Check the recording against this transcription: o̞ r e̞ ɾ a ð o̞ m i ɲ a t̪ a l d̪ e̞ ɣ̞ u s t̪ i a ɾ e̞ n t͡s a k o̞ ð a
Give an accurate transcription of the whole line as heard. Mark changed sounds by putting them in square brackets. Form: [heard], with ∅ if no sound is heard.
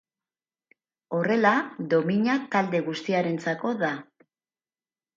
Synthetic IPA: o̞ r e̞ [l] a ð o̞ m i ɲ a t̪ a l d̪ e̞ ɣ̞ u s t̪ i a ɾ e̞ n t͡s a k o̞ ð a